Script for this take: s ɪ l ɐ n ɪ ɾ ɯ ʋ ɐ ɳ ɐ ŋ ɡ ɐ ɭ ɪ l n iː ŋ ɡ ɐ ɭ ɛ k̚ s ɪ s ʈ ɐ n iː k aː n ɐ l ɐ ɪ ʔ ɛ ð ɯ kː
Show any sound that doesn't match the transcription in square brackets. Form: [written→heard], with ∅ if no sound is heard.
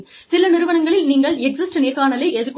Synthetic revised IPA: s ɪ l ɐ n ɪ ɾ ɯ ʋ ɐ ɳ ɐ ŋ ɡ ɐ ɭ ɪ l n iː ŋ ɡ ɐ ɭ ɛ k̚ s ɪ s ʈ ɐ n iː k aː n ɐ l ɐ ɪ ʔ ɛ ð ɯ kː